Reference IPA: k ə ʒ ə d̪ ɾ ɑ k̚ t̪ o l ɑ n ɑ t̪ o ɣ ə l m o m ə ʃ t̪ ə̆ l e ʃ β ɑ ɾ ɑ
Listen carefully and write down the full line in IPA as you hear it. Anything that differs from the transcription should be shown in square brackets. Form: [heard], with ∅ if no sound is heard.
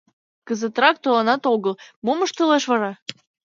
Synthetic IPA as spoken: k ə [z] ə [t̪] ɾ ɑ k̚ t̪ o l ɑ n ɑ t̪ o ɣ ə l m o m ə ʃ t̪ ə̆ l e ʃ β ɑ ɾ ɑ